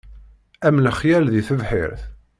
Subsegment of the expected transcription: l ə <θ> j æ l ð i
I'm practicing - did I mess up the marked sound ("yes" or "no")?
yes